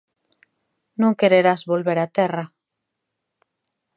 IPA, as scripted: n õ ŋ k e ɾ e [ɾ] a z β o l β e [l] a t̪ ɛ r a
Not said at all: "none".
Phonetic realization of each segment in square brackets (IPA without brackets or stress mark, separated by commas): ɾ, ɾ